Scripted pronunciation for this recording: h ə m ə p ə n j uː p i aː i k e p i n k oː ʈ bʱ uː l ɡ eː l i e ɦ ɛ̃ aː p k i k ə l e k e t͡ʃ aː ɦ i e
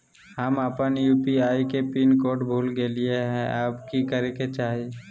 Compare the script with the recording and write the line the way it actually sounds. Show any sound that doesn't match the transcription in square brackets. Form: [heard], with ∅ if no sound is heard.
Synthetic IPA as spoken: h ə m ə p ə n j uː p i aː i k e p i n k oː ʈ bʱ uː l ɡ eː l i e ɦ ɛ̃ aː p k i k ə [ɾ] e k e t͡ʃ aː ɦ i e

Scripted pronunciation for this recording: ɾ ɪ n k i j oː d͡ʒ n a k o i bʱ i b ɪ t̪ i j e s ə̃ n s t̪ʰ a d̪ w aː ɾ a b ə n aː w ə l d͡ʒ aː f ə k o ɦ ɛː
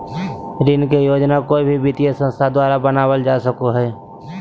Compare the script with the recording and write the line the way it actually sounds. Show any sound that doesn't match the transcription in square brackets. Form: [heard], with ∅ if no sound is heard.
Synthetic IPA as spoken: ɾ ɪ n k [e] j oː d͡ʒ n a k o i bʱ i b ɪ t̪ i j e s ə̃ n s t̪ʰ a d̪ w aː ɾ a b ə n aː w ə l d͡ʒ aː [s] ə k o ɦ ɛː

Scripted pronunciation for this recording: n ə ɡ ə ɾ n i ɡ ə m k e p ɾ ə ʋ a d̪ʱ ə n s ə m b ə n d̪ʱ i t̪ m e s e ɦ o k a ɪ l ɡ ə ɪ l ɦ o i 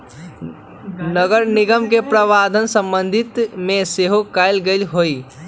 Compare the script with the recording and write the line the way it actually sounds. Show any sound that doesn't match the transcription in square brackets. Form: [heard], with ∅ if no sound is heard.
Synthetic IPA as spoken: n ə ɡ ə ɾ n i ɡ ə m k e p ɾ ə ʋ a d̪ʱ ə n s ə m b ə n d̪ʱ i t̪ m e s e ɦ o k a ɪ l ɡ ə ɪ l ɦ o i

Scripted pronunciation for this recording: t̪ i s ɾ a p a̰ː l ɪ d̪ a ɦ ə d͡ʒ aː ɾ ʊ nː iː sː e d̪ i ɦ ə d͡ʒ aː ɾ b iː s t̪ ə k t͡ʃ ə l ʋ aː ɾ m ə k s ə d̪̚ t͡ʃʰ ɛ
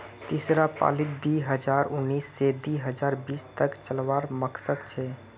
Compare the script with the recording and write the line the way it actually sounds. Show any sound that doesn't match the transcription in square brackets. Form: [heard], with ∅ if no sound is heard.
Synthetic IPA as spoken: t̪ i s ɾ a p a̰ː l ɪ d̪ [i] ɦ ə d͡ʒ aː ɾ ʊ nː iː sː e d̪ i ɦ ə d͡ʒ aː ɾ b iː s t̪ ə k t͡ʃ ə l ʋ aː ɾ m ə k s ə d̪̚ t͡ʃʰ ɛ

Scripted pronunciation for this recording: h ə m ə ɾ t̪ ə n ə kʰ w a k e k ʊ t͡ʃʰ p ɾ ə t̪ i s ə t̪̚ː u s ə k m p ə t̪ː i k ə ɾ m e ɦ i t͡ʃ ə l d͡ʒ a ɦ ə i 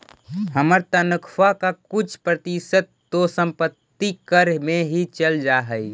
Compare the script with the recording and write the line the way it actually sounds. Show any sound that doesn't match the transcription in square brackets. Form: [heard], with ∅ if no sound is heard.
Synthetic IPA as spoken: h ə m ə ɾ t̪ ə n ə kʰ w a k [a] k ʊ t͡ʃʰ p ɾ ə t̪ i s ə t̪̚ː [o] s ə [∅] m p ə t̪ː i k ə ɾ m e ɦ i t͡ʃ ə l d͡ʒ a ɦ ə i

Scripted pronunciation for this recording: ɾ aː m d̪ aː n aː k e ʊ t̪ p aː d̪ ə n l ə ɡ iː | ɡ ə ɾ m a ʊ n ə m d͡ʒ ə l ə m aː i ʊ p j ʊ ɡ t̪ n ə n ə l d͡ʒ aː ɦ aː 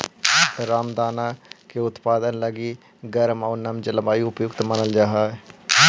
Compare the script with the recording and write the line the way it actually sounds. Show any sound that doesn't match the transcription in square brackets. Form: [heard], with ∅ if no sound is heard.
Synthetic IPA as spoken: ɾ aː m d̪ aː n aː k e ʊ t̪ p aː d̪ ə n l ə ɡ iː | ɡ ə ɾ m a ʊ n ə m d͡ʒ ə l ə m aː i ʊ p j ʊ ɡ t̪ [m] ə n ə l d͡ʒ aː ɦ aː

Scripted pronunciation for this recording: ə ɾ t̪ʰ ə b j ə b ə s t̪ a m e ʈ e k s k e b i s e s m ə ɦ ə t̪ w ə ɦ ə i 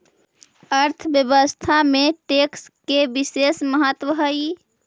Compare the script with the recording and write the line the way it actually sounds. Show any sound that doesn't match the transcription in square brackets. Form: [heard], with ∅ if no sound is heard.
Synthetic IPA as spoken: ə ɾ t̪ʰ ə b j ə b ə s [t̪ʰ] a m e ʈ e k s k e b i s e s m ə ɦ ə t̪ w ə ɦ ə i

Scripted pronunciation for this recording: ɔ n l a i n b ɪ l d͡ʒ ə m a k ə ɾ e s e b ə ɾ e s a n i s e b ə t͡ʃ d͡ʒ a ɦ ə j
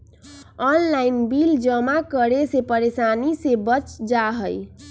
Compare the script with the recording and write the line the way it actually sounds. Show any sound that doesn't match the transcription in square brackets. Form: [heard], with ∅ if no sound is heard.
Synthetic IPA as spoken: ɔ n l a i n b [i] l d͡ʒ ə m a k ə ɾ e s e [p] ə ɾ e s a n i s e b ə t͡ʃ d͡ʒ a ɦ ə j

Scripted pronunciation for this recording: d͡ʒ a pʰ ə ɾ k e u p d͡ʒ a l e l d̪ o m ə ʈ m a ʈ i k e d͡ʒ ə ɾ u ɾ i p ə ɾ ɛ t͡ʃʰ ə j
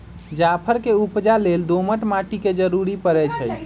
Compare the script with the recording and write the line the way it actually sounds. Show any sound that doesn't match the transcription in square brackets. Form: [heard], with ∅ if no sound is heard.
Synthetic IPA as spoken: d͡ʒ a pʰ ə ɾ k e u p d͡ʒ a l e l d̪ o m ə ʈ m a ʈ i k e d͡ʒ ə ɾ u ɾ i p ə ɾ ɛ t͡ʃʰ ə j

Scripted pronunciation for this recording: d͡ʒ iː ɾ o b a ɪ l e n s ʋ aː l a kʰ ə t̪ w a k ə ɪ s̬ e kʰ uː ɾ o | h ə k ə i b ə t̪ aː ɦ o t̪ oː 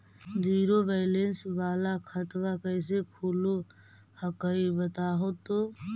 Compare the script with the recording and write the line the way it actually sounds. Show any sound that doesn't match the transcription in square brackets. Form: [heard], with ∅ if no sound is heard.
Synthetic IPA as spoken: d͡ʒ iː ɾ o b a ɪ l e n s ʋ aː l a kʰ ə t̪ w a k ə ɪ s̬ e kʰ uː [l] o | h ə k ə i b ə t̪ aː ɦ o t̪ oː

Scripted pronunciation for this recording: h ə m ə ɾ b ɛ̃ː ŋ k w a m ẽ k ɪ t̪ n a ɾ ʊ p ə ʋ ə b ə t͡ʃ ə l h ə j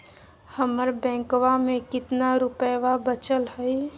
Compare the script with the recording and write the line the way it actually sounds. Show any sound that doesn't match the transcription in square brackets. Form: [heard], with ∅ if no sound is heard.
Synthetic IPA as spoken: h ə m ə ɾ b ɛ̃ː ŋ k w a m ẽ k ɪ t̪ n a ɾ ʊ p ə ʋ [a] b ə t͡ʃ ə l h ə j

